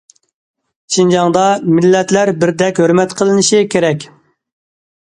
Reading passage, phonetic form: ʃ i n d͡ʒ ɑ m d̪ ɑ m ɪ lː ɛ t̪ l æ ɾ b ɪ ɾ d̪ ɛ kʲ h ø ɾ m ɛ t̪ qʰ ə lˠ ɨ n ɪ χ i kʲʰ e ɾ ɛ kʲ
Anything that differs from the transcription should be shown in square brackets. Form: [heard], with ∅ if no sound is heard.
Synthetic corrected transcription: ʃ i n d͡ʒ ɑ [ŋ] d̪ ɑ m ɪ lː ɛ t̪ l æ ɾ b ɪ ɾ d̪ ɛ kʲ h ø ɾ m ɛ t̪ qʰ ə lˠ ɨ n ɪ [ʃ] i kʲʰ e ɾ ɛ kʲ